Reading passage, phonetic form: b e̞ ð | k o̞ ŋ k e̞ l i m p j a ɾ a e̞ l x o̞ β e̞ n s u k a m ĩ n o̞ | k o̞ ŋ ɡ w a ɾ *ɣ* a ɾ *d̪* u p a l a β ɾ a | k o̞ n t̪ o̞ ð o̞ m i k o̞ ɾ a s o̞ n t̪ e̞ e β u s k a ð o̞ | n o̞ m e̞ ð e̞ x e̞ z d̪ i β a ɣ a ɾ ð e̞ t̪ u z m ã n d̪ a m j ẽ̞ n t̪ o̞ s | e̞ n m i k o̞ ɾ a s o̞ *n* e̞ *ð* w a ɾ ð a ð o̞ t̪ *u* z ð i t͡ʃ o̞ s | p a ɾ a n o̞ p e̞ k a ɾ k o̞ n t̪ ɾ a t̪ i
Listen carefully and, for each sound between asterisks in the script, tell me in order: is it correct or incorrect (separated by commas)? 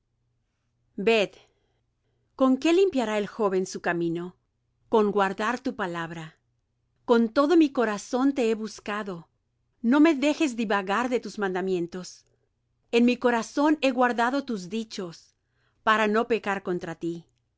incorrect, incorrect, correct, incorrect, correct